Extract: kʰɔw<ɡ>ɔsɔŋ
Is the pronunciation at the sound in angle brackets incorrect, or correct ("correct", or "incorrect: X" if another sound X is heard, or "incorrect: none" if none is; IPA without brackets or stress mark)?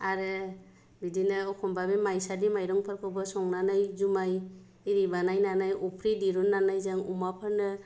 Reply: incorrect: b